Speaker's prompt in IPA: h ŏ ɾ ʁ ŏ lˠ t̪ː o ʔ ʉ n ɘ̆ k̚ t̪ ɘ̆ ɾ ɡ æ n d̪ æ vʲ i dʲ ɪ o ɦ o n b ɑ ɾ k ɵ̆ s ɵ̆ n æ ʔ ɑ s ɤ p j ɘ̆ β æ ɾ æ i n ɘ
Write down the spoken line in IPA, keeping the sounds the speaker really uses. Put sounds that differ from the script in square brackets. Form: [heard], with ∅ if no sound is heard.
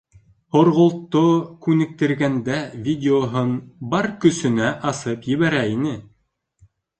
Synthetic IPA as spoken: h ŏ ɾ ʁ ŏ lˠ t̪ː o [k] ʉ n ɘ̆ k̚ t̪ ɘ̆ ɾ ɡ æ n d̪ æ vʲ i dʲ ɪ o ɦ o n b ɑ ɾ k ɵ̆ s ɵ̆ n æ ʔ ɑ s ɤ p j ɘ̆ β æ ɾ æ i n ɘ